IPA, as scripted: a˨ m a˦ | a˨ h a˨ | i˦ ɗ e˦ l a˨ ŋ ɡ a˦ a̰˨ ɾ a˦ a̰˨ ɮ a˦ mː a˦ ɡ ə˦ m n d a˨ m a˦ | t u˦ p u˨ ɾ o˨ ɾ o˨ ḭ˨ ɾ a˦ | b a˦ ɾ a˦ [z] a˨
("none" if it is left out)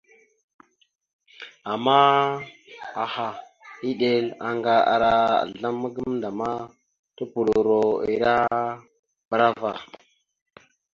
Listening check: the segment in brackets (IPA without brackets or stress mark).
v